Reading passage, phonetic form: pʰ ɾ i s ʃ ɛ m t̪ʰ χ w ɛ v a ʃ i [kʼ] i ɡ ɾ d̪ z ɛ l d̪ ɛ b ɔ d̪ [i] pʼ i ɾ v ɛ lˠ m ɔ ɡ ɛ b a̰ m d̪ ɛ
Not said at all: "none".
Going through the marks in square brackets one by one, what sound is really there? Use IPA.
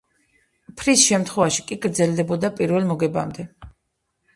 kʼ, a

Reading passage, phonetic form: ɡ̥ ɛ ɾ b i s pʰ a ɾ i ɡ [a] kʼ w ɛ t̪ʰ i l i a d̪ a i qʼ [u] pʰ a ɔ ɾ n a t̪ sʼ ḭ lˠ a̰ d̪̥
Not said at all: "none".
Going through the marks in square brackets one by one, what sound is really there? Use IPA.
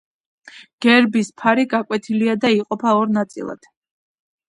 a, ɔ

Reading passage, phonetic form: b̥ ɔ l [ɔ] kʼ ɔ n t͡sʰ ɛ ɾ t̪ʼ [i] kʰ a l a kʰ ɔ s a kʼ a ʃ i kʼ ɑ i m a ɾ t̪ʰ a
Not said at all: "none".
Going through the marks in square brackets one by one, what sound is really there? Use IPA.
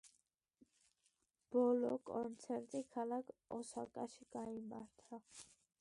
ɔ, i

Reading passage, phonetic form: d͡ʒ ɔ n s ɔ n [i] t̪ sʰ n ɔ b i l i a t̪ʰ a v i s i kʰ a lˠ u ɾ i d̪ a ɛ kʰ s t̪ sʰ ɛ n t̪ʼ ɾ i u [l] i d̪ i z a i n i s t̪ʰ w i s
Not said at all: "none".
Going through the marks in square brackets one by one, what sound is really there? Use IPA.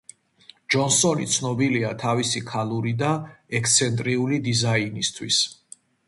i, l

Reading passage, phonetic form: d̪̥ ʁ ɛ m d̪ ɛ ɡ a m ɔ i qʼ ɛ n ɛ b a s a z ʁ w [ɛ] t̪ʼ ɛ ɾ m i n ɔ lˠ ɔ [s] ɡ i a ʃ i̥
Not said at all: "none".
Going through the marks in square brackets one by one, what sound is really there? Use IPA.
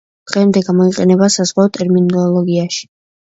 a, none

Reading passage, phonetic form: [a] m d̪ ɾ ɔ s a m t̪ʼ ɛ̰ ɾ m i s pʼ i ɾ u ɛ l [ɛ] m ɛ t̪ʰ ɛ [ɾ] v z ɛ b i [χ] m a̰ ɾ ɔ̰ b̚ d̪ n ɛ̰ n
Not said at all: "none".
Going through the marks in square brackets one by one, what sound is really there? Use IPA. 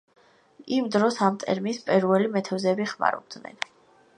i, i, none, χ

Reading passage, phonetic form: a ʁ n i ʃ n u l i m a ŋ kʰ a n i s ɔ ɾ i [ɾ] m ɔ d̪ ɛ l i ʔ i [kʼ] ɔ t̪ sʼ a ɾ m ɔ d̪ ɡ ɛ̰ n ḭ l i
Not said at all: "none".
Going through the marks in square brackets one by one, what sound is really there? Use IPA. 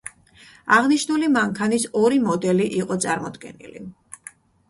none, qʼ

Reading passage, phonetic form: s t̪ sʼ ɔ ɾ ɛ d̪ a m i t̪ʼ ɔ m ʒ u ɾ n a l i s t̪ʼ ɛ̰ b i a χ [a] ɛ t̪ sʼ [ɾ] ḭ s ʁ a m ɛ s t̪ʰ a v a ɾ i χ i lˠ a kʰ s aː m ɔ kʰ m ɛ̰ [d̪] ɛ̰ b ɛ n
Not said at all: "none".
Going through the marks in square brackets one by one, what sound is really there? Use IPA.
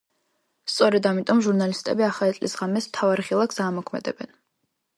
a, l, d̪

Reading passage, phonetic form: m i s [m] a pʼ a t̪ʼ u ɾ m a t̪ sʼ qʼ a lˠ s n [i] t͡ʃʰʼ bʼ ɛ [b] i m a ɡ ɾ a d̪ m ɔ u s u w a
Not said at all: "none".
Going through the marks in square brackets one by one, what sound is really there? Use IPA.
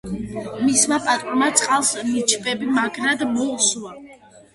m, i, b

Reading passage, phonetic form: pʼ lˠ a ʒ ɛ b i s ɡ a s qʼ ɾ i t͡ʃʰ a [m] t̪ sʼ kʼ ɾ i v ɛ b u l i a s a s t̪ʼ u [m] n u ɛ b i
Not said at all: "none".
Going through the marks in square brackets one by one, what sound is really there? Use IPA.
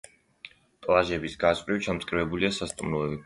m, m

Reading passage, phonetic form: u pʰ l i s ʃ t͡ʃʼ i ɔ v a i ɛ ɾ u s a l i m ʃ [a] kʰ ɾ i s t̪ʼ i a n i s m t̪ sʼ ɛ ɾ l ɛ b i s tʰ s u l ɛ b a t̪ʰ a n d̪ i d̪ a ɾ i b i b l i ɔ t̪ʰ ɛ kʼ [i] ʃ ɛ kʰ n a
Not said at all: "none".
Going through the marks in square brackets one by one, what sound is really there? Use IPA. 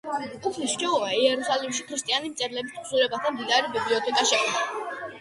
i, a

